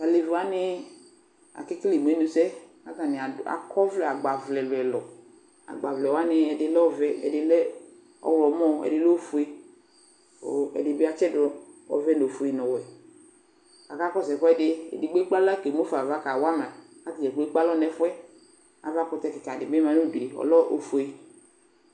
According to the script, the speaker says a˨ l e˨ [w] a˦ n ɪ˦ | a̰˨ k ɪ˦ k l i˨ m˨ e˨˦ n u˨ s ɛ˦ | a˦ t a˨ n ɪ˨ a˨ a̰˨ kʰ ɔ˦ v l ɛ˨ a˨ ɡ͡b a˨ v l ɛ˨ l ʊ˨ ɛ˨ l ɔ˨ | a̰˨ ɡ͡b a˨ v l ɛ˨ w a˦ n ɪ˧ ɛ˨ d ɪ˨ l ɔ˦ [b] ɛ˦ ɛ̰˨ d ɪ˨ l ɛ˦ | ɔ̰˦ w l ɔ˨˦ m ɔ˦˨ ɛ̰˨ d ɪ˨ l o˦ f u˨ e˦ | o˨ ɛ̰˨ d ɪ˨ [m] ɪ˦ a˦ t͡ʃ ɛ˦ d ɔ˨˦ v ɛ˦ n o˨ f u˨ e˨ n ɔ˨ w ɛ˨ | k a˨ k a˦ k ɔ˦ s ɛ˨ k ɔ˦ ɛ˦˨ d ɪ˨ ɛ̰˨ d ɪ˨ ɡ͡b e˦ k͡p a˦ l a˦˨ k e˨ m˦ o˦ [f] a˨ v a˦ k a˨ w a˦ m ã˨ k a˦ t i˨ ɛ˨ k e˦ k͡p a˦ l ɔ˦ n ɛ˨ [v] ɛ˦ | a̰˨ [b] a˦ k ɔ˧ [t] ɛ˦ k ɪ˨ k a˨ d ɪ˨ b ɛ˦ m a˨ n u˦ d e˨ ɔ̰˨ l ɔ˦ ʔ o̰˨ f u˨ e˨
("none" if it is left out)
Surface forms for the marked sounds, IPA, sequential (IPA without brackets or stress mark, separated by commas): v, v, b, f, f, v, t